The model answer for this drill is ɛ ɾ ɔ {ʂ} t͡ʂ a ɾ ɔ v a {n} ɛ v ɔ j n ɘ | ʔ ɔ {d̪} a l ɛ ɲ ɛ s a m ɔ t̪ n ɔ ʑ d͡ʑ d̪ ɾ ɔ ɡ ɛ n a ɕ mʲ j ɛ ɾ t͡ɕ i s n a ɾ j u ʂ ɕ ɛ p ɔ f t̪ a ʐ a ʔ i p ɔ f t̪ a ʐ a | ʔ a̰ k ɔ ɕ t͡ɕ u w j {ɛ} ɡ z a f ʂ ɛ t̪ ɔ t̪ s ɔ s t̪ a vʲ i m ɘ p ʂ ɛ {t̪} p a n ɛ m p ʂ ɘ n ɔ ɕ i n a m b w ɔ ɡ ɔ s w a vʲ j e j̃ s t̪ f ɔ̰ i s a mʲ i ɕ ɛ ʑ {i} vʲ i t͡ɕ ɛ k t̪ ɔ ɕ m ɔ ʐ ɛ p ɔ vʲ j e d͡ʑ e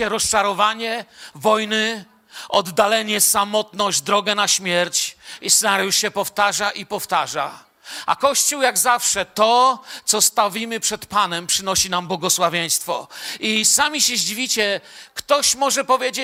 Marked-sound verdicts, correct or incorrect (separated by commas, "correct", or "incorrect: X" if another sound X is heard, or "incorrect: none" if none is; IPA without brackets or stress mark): incorrect: s, incorrect: ɲ, incorrect: d̪ː, incorrect: a, correct, correct